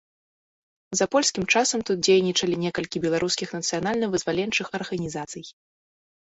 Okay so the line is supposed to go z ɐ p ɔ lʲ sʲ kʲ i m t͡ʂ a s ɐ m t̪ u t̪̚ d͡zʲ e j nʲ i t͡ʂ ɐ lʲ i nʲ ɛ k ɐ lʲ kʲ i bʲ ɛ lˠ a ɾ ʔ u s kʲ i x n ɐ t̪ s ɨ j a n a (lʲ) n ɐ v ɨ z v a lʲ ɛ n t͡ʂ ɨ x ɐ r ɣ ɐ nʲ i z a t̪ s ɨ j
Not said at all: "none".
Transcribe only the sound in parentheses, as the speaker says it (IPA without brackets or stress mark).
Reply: lʲ